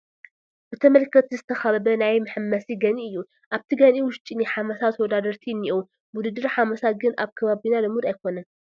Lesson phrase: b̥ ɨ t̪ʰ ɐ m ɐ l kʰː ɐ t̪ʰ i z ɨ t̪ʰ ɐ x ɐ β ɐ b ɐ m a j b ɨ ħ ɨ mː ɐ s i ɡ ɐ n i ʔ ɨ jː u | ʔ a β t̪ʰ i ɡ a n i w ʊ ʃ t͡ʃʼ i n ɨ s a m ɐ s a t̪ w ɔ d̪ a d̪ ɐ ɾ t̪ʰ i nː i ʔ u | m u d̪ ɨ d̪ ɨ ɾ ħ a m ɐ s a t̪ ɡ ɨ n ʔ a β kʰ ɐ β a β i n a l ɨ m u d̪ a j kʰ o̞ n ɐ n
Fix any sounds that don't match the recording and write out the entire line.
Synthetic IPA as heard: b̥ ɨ t̪ʰ ɐ m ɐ l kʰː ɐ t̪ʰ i z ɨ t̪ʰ ɐ x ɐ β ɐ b ɐ n a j m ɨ ħ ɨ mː ɐ s i ɡ ɐ n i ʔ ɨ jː u | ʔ a β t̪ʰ i ɡ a n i w ʊ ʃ t͡ʃʼ i n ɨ ħ a m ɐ s a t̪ w ɔ d̪ a d̪ ɐ ɾ t̪ʰ i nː i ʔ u | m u d̪ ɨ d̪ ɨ ɾ ħ a m ɐ s a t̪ ɡ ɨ n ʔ a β kʰ ɐ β a β i n a l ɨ m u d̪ a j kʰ o̞ n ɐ n

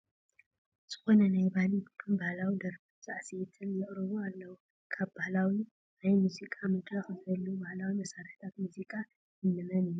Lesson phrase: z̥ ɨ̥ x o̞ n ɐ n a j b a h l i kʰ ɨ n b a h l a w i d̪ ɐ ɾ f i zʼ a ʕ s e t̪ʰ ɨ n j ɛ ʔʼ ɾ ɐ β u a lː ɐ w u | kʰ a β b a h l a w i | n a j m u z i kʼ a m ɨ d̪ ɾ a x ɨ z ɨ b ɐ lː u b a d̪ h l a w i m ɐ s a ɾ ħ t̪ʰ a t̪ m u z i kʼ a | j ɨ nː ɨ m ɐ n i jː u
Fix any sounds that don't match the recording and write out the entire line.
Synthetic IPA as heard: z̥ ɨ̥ x o̞ n ɐ n a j b a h l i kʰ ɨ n b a h l a w i d̪ ɐ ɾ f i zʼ a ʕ s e t̪ʰ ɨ n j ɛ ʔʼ ɾ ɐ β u a lː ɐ w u | kʰ a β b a h l a w i | n a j m u z i kʼ a m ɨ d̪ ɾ a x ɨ z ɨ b ɐ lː u b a h l a w i m ɐ s a ɾ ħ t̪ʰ a t̪ m u z i kʼ a | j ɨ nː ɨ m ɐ n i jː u

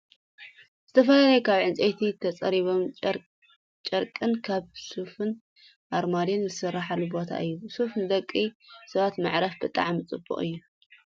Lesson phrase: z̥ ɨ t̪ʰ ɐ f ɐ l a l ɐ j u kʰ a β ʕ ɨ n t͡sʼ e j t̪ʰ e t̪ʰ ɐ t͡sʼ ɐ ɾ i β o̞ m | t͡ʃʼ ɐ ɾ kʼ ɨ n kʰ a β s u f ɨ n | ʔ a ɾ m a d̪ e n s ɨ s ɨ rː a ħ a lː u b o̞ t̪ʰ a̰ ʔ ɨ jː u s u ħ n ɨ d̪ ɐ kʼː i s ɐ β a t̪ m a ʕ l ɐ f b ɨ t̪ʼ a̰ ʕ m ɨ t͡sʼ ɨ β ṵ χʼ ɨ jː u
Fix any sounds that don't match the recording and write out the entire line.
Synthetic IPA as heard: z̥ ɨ t̪ʰ ɐ f ɐ l a l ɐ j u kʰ a β ʕ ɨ n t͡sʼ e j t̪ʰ i t̪ʰ ɐ t͡sʼ ɐ ɾ i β o̞ m | t͡ʃʼ ɐ ɾ kʼ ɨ n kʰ a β s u f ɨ n | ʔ a ɾ m a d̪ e n z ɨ s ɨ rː a ħ a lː u b o̞ t̪ʰ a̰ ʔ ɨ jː u s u f n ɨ d̪ ɐ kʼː i s ɐ β a t̪ m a ʕ ɾ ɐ f b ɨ t̪ʼ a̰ ʕ m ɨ t͡sʼ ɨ b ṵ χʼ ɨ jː u

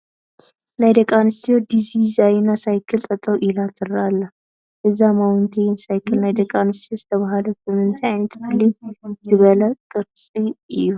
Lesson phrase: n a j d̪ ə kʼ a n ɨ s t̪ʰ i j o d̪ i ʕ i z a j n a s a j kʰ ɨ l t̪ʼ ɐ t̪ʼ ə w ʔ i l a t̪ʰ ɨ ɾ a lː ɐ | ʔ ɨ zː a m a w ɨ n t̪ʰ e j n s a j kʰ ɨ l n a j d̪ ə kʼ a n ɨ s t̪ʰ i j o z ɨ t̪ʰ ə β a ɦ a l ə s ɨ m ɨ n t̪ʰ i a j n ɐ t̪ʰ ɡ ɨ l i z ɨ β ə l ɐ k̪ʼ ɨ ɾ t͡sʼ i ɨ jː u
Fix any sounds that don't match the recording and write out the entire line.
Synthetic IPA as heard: n a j d̪ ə kʼ a n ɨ s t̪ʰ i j o d̪ i z i z a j n a s a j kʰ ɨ l t̪ʼ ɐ t̪ʼ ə w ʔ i l a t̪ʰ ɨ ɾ a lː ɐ | ʔ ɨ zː a m a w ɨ n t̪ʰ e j n s a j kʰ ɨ l n a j d̪ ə kʼ a n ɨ s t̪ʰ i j o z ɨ t̪ʰ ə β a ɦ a l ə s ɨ m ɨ n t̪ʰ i a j n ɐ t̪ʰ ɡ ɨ l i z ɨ β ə l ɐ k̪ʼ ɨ ɾ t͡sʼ i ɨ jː u

